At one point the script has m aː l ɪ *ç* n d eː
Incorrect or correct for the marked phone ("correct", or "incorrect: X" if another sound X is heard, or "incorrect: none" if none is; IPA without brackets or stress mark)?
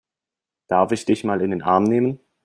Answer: incorrect: none